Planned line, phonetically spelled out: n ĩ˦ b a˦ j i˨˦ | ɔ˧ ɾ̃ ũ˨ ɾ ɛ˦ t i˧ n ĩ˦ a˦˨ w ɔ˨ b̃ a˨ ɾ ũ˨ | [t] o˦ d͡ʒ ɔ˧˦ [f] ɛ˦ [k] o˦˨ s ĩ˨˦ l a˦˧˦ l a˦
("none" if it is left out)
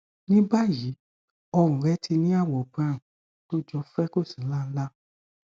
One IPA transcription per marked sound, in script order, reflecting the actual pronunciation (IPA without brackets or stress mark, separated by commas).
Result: t, f, k